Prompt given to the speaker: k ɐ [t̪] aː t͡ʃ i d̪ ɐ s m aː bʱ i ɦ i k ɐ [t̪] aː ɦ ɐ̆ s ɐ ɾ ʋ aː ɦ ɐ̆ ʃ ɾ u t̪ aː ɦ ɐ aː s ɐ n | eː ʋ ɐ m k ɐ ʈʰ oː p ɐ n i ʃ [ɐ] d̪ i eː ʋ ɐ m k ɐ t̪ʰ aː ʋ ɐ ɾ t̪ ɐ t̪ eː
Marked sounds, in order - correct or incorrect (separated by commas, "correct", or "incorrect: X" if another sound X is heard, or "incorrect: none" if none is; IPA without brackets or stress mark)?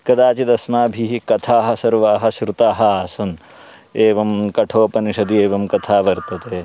incorrect: d̪, incorrect: t̪ʰ, correct